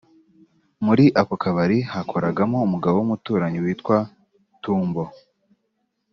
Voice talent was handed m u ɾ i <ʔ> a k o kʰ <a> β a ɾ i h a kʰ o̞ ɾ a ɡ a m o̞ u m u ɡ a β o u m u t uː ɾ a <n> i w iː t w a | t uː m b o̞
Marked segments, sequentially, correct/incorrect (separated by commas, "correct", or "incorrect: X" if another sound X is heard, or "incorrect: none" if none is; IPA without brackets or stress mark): correct, correct, incorrect: ɲ